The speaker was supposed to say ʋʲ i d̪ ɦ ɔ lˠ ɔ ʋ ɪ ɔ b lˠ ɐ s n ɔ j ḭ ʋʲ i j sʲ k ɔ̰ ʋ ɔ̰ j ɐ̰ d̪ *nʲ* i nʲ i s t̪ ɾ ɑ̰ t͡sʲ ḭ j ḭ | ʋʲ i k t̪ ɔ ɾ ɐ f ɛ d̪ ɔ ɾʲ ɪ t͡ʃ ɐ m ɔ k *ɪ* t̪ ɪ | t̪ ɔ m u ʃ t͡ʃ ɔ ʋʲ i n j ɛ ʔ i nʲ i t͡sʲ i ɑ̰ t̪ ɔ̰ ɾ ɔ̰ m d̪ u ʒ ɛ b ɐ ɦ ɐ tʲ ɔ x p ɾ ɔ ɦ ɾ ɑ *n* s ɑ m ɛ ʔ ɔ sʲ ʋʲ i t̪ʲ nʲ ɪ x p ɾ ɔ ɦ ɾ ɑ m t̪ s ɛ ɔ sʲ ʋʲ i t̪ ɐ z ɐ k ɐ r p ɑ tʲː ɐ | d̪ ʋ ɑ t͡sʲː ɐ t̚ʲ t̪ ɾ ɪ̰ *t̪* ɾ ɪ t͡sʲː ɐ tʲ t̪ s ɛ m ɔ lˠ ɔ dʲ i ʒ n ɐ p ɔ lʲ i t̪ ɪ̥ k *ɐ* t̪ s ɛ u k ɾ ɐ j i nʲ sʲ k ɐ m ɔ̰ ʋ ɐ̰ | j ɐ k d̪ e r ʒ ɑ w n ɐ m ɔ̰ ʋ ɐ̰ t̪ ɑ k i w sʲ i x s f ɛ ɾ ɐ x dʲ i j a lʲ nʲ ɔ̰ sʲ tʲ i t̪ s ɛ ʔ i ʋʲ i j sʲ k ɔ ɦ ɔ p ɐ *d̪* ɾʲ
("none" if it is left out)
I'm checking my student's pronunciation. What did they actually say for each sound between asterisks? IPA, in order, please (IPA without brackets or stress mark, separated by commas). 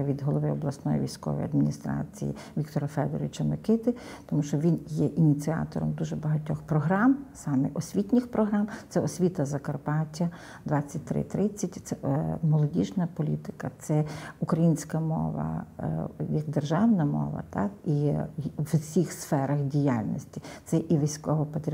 mʲ, ɪ, m, t̪, ɐ, t̪